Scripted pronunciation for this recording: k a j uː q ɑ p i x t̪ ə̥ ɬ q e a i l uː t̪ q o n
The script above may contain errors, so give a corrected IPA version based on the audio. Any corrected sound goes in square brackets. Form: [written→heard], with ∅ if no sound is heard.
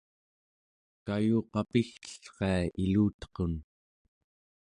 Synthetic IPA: k a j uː q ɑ p i x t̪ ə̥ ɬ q e a i l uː t̪ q o n